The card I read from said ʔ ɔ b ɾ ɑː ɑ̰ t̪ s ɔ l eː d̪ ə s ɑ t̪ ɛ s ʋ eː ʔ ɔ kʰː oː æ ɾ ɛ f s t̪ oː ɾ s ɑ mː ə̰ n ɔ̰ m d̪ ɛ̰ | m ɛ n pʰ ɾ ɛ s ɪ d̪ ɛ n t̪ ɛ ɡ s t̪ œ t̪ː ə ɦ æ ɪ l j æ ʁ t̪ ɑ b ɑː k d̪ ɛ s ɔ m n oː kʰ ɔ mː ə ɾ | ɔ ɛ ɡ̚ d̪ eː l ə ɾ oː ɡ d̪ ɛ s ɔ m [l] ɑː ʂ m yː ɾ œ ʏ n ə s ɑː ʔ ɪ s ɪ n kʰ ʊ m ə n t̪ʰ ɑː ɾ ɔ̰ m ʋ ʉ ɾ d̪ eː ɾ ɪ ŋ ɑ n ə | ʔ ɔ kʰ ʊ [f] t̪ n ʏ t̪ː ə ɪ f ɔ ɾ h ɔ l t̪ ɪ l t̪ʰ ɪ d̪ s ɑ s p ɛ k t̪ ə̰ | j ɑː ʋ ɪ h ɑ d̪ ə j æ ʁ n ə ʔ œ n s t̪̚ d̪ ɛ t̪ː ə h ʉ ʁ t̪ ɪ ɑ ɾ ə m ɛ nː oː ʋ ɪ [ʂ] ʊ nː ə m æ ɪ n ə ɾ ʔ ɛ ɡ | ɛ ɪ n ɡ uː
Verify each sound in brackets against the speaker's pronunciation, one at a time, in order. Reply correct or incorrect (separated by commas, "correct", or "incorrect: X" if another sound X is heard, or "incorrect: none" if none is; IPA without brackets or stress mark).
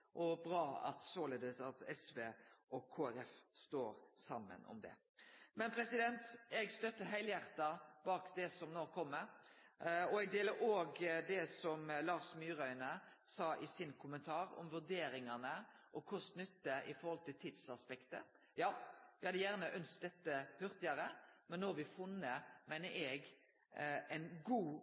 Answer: correct, incorrect: s, incorrect: f